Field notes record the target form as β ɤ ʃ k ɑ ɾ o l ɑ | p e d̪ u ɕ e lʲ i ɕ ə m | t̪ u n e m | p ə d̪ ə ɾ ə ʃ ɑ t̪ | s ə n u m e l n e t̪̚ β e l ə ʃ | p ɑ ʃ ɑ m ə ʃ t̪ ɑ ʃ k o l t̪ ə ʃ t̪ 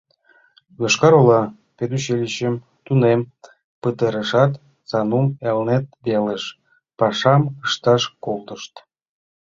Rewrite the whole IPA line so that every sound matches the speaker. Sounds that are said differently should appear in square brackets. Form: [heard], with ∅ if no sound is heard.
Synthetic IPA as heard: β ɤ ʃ k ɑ ɾ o l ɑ | p e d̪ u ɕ e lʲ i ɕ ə m | t̪ u n e m | p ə [t̪] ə ɾ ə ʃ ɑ t̪ | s [ɑ] n u m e l n e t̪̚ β e l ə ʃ | p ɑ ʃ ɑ m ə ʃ t̪ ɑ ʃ k o l t̪ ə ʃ t̪